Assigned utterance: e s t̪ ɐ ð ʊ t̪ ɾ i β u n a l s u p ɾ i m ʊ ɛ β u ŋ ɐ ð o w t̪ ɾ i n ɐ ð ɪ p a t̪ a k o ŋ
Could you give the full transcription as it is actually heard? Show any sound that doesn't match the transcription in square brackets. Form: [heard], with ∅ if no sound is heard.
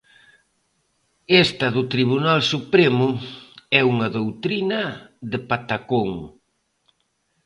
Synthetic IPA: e s t̪ ɐ ð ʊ t̪ ɾ i β u n a l s u p ɾ [e] m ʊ ɛ [∅] u ŋ ɐ ð o w t̪ ɾ i n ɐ ð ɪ p a t̪ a k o ŋ